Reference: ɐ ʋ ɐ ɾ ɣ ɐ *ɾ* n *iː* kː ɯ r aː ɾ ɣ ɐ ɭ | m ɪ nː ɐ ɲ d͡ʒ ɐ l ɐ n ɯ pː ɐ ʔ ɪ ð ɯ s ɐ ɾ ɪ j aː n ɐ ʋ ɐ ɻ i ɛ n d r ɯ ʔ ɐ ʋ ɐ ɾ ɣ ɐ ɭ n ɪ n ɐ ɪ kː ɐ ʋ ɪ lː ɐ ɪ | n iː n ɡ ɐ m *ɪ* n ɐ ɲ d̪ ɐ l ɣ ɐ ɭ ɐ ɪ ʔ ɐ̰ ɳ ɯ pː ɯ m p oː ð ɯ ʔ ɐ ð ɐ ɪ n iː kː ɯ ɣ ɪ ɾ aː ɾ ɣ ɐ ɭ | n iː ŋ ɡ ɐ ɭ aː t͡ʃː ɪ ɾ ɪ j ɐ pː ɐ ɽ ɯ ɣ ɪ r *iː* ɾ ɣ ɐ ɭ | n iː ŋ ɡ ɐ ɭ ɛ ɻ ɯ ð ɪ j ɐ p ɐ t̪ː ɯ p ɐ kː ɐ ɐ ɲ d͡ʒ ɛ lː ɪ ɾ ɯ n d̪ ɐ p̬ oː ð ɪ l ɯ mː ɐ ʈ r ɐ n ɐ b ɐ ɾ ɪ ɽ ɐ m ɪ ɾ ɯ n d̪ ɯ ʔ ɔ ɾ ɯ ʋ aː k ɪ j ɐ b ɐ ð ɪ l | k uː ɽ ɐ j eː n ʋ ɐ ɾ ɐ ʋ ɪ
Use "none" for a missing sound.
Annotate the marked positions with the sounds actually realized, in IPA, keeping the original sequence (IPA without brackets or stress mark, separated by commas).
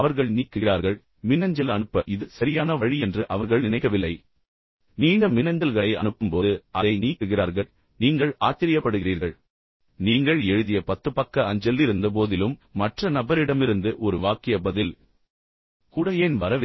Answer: ɭ, iː, ɪ, iː